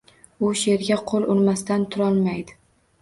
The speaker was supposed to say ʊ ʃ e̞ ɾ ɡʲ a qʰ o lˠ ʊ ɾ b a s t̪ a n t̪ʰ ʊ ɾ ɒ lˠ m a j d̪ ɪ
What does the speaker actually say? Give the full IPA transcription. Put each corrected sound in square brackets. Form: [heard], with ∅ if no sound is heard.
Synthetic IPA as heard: ʊ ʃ e̞ ɾ ɡʲ a qʰ o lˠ ʊ ɾ [m] a s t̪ a n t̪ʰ ʊ ɾ ɒ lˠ m a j d̪ ɪ